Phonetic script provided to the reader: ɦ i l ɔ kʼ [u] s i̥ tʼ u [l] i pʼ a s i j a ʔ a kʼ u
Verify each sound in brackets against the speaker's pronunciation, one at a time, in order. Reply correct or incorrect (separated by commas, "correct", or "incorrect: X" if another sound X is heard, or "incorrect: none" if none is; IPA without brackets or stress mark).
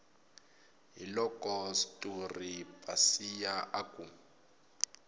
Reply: incorrect: ɔ, incorrect: r